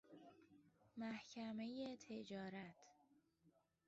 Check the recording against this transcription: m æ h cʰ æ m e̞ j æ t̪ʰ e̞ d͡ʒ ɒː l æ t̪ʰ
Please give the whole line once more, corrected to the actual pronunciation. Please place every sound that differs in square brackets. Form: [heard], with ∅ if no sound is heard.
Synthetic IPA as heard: m æ h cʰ æ m e̞ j [e] t̪ʰ e̞ d͡ʒ ɒː [ɾ] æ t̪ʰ